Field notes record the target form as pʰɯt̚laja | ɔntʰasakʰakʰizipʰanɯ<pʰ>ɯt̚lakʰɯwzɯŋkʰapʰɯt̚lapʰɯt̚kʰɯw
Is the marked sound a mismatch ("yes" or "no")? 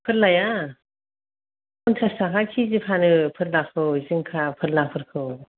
no